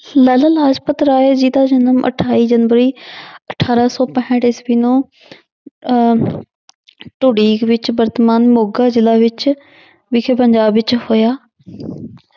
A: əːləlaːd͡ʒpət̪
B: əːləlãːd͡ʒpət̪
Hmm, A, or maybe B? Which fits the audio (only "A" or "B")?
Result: A